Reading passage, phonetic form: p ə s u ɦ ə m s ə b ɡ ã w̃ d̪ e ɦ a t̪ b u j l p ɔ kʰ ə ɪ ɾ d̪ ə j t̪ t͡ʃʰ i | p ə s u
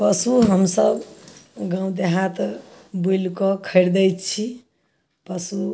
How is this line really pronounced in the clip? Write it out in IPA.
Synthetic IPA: p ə s u ɦ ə m s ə b ɡ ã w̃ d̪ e ɦ a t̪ b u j l k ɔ kʰ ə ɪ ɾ d̪ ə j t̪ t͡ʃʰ i | p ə s u